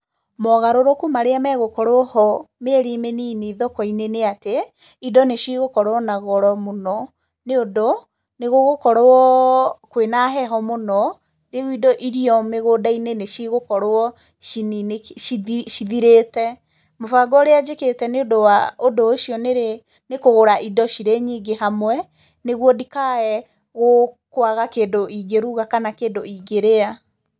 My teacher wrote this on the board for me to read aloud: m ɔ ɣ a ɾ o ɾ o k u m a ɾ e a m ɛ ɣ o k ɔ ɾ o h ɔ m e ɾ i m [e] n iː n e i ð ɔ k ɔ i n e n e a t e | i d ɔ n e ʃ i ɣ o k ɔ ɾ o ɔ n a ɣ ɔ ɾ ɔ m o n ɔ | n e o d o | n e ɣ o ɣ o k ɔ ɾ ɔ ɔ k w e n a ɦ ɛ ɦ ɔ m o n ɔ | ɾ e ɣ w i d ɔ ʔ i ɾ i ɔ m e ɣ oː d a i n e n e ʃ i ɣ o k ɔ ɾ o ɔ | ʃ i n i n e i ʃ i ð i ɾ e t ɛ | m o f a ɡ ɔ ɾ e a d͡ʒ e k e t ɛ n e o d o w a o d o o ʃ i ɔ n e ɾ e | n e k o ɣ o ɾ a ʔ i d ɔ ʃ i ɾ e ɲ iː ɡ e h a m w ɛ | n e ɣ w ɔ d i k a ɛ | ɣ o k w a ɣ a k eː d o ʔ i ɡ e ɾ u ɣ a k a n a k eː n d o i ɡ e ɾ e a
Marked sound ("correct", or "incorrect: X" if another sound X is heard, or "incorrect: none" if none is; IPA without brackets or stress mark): correct